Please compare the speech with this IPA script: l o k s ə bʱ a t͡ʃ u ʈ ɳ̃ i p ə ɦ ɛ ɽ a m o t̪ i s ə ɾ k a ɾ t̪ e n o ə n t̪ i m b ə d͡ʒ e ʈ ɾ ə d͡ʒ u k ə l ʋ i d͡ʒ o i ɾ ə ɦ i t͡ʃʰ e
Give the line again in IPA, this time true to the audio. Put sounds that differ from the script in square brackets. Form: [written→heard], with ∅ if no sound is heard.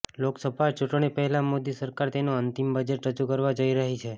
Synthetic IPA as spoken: l o k s ə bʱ a t͡ʃ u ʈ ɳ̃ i p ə ɦ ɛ [ɽ→l] a m o [t̪→d̪] i s ə ɾ k a ɾ t̪ e n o ə n t̪ i m b ə d͡ʒ e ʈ ɾ ə d͡ʒ u k ə [l→ɾ] ʋ [i→a] d͡ʒ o i ɾ ə ɦ i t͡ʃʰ e